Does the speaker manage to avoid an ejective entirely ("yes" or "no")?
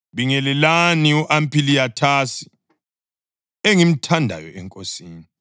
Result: no